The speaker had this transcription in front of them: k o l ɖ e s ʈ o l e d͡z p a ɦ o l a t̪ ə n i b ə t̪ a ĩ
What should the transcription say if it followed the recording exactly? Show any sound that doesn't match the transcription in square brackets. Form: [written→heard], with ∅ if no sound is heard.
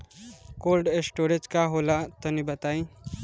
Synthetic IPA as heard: k o l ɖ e s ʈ o [l→ɾ] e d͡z [p→k] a ɦ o l a t̪ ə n i b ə t̪ a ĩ